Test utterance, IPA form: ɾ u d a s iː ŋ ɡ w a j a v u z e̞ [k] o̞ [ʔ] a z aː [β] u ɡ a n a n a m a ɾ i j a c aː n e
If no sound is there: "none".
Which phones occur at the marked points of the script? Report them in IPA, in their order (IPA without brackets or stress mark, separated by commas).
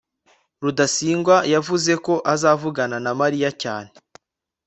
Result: k, ʔ, v